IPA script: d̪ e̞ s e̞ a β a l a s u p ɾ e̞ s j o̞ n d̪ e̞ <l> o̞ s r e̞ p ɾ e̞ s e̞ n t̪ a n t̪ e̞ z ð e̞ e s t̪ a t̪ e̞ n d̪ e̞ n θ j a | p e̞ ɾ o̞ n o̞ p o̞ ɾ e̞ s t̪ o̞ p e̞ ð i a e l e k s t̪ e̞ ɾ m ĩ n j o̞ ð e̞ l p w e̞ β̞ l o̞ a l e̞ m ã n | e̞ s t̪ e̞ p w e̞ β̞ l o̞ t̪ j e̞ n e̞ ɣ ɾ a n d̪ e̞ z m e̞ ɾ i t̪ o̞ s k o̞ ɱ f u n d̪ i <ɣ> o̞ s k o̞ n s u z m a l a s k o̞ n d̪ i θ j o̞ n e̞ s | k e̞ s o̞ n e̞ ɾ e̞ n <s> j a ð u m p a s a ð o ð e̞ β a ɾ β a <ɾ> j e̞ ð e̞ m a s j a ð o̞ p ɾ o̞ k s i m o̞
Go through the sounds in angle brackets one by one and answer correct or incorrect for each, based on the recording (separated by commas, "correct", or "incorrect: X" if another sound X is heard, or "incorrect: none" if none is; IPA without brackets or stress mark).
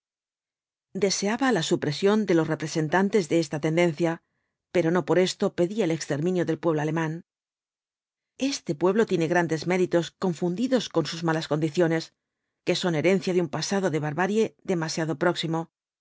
correct, incorrect: ð, incorrect: θ, correct